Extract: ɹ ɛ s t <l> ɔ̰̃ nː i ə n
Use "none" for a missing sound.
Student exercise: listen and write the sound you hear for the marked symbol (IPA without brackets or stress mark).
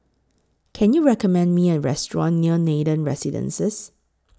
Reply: ɹ